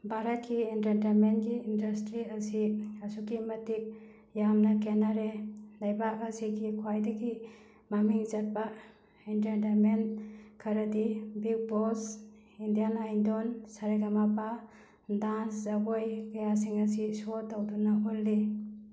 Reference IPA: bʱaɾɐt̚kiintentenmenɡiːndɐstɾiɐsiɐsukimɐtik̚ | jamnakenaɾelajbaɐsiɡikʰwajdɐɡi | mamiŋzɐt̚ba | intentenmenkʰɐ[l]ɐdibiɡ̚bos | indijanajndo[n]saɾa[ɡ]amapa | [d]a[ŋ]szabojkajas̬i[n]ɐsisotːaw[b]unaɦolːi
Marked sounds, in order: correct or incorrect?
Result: incorrect, correct, correct, correct, incorrect, incorrect, incorrect

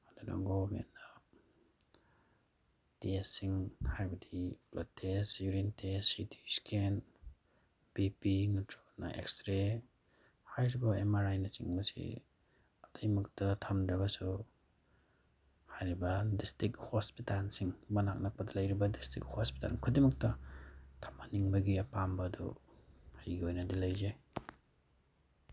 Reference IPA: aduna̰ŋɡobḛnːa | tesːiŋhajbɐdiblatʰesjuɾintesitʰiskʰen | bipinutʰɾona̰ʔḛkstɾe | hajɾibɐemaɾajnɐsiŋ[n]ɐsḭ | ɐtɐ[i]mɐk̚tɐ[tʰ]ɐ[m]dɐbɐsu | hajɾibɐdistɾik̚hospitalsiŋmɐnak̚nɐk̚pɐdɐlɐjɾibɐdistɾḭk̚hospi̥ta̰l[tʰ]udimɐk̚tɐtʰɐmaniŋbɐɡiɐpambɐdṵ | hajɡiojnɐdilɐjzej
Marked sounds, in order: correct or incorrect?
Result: incorrect, incorrect, correct, correct, incorrect

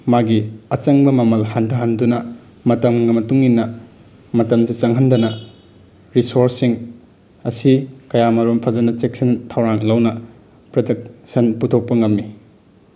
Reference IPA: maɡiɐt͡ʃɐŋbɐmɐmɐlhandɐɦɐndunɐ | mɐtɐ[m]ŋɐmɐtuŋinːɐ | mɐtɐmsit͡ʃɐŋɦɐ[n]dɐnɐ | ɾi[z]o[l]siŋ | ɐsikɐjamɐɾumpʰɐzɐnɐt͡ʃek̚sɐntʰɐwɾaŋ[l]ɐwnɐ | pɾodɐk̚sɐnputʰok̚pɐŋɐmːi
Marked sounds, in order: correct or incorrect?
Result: correct, correct, incorrect, incorrect, correct

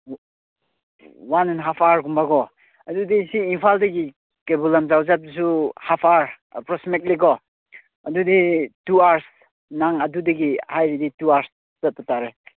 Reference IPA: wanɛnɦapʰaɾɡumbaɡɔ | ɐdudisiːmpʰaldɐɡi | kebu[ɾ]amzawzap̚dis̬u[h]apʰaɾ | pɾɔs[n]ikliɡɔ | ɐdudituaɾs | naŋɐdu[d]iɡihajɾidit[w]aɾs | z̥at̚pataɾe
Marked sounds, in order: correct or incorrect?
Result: incorrect, correct, incorrect, correct, incorrect

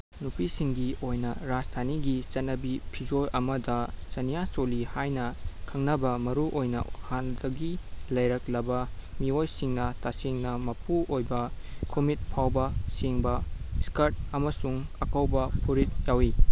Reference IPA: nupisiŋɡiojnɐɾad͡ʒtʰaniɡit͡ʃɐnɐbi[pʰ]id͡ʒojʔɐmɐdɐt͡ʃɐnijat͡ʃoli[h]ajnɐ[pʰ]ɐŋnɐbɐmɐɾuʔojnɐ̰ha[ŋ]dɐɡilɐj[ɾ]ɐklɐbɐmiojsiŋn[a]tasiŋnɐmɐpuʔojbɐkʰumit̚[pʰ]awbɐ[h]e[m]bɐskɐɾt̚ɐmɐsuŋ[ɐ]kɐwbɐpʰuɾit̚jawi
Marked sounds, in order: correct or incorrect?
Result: correct, correct, incorrect, incorrect, correct, incorrect, correct, incorrect, incorrect, correct

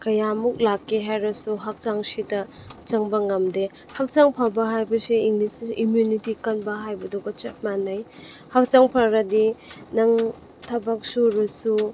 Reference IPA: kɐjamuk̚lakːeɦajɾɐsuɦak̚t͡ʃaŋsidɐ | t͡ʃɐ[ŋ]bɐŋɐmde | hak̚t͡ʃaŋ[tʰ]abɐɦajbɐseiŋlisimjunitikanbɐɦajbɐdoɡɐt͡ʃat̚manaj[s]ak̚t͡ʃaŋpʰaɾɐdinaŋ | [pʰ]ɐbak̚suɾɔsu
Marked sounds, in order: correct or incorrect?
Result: correct, incorrect, incorrect, incorrect

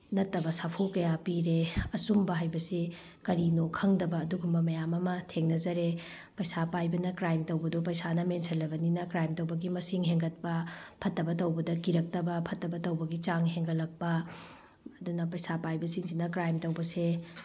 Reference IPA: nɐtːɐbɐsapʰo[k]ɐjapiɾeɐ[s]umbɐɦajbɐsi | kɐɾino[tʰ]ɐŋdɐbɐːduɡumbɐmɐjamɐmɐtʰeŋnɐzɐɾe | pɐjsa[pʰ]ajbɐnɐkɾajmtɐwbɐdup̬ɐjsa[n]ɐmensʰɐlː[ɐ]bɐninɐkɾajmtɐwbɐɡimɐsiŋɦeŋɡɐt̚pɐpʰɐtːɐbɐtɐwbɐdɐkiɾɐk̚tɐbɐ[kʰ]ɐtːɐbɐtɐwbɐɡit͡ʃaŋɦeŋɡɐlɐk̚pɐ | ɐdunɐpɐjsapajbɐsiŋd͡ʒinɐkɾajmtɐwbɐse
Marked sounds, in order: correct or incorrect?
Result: correct, correct, incorrect, incorrect, correct, correct, incorrect

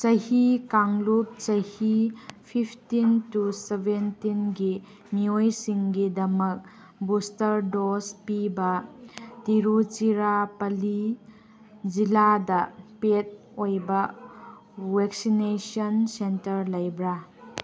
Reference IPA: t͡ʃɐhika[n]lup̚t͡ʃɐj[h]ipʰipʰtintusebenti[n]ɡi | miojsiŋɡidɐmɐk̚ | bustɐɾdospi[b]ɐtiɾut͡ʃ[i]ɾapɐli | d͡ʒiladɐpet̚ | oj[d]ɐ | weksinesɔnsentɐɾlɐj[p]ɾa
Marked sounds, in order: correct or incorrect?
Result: incorrect, correct, correct, correct, correct, incorrect, incorrect

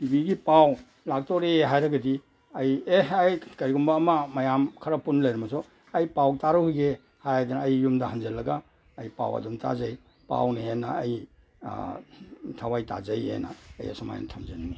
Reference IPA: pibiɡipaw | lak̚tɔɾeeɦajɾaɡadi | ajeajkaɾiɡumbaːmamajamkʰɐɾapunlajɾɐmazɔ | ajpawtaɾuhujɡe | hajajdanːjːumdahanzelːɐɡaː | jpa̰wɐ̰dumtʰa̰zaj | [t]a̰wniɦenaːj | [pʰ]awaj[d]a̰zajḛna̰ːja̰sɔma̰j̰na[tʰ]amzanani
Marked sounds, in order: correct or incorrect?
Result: incorrect, incorrect, incorrect, correct

